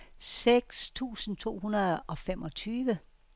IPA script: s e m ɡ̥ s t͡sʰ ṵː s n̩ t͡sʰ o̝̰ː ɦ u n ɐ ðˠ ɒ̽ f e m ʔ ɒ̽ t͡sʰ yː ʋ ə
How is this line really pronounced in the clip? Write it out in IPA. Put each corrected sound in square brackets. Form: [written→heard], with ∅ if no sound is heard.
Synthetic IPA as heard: s e [m→∅] ɡ̥ s t͡sʰ ṵː s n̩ t͡sʰ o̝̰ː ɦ u n ɐ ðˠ ɒ̽ f e m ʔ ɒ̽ t͡sʰ yː ʋ ə